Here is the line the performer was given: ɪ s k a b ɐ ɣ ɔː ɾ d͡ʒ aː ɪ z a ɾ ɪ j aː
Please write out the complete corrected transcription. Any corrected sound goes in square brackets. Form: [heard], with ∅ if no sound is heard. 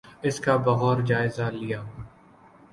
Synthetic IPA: ɪ s k a b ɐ ɣ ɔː ɾ d͡ʒ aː ɪ z a [l] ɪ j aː